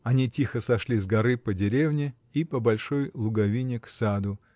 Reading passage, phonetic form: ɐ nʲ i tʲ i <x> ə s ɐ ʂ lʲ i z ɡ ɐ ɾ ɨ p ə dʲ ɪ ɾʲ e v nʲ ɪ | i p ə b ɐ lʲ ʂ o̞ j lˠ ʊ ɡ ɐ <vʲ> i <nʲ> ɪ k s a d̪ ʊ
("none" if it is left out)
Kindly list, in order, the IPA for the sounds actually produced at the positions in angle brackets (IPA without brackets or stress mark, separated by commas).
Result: x, vʲ, nʲ